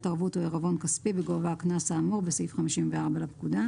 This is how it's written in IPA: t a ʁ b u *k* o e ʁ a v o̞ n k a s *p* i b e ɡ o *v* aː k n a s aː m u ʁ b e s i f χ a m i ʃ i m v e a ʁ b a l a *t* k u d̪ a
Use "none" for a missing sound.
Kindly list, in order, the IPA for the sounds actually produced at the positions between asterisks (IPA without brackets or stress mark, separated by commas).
t, p, v, p